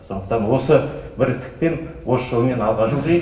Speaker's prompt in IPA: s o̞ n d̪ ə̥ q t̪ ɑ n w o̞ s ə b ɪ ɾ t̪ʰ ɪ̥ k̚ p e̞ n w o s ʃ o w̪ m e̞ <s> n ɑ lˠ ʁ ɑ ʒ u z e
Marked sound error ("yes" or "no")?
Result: yes